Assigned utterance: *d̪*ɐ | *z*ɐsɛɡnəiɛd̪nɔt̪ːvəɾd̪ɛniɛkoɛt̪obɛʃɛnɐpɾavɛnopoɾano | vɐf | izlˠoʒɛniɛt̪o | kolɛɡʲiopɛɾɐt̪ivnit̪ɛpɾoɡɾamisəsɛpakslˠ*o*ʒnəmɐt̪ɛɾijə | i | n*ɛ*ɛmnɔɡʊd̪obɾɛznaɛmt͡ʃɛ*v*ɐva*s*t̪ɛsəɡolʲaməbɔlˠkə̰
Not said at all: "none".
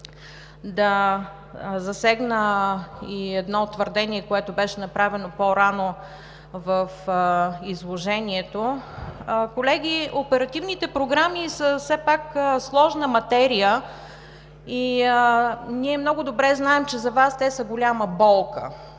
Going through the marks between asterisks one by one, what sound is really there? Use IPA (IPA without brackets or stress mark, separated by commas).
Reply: d̪, z, ɔ, i, z, s